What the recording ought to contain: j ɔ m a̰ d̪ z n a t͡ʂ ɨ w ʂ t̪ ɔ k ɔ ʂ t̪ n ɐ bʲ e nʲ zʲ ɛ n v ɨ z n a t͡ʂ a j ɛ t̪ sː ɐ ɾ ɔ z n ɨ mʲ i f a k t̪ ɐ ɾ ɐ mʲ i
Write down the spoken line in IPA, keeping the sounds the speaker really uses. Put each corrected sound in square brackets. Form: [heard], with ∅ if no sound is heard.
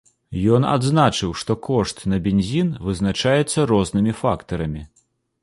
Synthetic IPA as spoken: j ɔ [n] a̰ d̪ z n a t͡ʂ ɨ w ʂ t̪ ɔ k ɔ ʂ t̪ n ɐ bʲ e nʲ zʲ [i] n v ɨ z n a t͡ʂ a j ɛ t̪ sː ɐ ɾ ɔ z n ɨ mʲ i f a k t̪ ɐ ɾ ɐ mʲ i